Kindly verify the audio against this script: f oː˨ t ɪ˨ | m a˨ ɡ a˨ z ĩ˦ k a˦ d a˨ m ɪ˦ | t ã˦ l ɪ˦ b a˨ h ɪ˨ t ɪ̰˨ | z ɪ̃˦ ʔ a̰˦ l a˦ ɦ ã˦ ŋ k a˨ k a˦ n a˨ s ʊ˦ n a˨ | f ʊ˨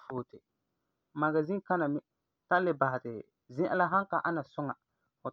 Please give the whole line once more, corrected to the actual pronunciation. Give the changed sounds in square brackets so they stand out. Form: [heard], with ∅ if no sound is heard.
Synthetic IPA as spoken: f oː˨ t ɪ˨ | m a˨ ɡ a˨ z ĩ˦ k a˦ [n] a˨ m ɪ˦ | t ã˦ l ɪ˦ b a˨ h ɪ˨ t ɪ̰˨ | z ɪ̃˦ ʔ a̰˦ l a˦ ɦ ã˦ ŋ k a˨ [ʔ] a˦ n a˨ s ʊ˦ [ŋ] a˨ | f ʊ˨